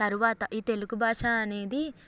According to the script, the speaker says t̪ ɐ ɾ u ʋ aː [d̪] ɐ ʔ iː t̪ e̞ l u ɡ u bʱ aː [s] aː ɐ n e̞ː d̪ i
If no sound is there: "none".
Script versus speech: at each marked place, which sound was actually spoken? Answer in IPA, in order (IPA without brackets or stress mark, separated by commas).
t̪, ʂ